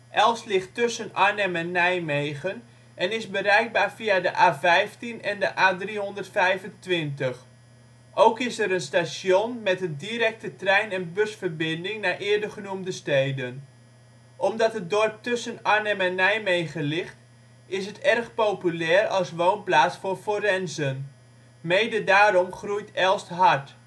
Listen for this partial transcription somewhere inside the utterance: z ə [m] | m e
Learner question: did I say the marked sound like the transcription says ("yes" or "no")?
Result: no